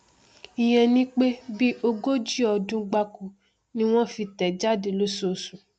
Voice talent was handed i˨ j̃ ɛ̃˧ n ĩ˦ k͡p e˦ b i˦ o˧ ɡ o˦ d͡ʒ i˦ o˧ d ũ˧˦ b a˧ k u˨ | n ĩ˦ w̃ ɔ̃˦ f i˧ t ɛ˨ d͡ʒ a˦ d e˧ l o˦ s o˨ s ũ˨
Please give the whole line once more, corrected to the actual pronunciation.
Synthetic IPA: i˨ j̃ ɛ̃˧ n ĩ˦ k͡p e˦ b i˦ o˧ ɡ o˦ d͡ʒ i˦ ɔ˧ d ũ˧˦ ɡ͡b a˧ k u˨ | n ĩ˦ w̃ ɔ̃˦ f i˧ t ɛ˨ d͡ʒ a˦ d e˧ l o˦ s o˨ s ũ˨